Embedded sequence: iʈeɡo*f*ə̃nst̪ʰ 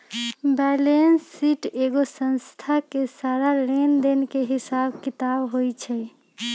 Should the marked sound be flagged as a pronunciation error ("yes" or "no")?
yes